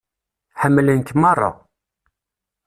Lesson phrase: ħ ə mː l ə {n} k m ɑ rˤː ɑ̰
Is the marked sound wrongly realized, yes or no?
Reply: no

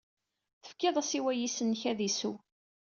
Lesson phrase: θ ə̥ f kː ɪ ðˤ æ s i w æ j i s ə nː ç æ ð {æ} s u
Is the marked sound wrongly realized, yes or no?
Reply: yes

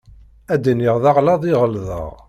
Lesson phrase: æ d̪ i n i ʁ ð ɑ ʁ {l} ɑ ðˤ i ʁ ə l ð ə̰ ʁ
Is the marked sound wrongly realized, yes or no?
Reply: no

